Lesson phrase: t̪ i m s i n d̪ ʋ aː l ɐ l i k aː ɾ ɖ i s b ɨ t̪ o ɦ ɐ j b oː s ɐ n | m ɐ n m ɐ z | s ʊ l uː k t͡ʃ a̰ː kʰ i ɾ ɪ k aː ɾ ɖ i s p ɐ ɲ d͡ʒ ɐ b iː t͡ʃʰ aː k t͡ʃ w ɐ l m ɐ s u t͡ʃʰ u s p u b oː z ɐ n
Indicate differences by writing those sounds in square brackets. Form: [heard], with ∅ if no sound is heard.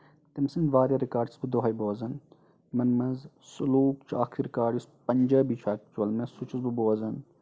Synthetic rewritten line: t̪ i m s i n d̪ ʋ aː [ɾ] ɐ [ɾ] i k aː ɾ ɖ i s b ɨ [d̪] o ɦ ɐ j b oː [z] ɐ n | m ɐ n m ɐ z | s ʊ l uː k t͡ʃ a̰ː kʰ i ɾ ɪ k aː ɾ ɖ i s p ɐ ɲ d͡ʒ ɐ b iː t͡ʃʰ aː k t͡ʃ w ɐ l m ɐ s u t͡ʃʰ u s [b] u b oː z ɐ n